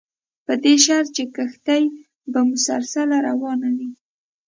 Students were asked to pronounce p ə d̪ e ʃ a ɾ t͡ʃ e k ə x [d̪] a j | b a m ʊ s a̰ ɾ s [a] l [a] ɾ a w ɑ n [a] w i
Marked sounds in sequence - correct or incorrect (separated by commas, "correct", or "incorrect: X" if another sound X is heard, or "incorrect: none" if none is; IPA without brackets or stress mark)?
incorrect: t̪, correct, correct, correct